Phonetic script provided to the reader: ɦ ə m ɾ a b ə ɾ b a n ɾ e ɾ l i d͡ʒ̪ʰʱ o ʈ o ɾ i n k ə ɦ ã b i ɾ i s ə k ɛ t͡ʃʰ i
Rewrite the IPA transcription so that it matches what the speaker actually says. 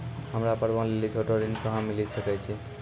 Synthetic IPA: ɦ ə m ɾ a p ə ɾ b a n l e l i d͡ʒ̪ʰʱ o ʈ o ɾ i n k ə ɦ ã m i l i s ə k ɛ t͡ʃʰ i